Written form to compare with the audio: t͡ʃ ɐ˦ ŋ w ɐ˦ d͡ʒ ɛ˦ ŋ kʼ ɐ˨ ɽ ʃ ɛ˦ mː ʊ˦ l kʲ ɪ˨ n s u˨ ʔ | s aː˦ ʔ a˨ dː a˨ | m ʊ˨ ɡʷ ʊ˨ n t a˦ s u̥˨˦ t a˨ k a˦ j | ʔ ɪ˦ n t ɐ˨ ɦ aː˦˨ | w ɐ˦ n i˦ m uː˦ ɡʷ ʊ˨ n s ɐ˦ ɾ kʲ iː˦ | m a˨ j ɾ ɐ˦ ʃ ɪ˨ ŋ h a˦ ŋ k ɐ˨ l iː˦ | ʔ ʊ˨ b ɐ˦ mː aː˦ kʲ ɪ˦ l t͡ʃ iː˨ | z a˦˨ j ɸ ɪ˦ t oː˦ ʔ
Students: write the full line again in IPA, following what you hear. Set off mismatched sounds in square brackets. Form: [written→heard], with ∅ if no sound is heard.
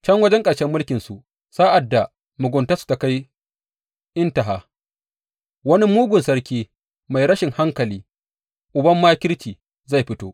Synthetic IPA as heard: t͡ʃ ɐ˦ ŋ w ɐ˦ d͡ʒ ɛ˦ ŋ kʼ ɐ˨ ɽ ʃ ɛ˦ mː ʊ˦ l kʲ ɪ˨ n s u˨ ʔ | s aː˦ ʔ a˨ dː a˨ | m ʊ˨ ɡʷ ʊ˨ n t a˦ s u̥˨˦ t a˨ k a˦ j | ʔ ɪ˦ n t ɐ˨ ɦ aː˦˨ | w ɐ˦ n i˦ m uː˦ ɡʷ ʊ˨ n s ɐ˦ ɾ kʲ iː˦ | m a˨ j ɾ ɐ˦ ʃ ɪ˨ ŋ h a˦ ŋ k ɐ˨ l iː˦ | ʔ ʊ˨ b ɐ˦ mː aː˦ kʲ ɪ˦ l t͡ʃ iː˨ | z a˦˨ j ɸ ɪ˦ t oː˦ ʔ